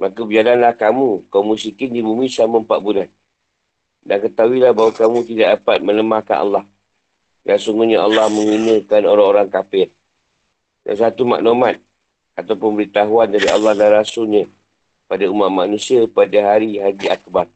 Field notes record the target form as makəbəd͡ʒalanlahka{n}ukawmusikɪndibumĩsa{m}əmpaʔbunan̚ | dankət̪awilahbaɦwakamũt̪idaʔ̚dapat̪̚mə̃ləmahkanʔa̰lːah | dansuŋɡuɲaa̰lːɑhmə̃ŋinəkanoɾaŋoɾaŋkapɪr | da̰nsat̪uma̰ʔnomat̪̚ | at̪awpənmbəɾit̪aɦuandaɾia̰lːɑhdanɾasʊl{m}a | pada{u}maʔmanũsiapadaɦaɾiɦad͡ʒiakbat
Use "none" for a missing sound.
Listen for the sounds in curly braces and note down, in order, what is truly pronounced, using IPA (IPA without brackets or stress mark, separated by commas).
m, m, ɲ, u